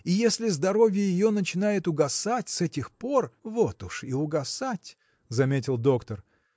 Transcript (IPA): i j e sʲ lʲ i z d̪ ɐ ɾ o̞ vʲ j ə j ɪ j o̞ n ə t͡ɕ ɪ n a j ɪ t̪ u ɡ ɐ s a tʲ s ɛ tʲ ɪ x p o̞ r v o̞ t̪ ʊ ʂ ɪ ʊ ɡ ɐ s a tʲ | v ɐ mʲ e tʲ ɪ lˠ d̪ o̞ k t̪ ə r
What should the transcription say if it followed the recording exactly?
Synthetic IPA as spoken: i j e sʲ lʲ ɪ z d̪ ɐ ɾ o̞ vʲ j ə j ɪ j o̞ n ə t͡ɕ ɪ n a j ɪ t̪ ʊ ɡ ɐ s a tʲ s ɛ tʲ ɪ x p o̞ r v o̞ t̪ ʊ ʂ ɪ ʊ ɡ ɐ s a tʲ | z ɐ mʲ e tʲ ɪ lˠ d̪ o̞ k t̪ ə r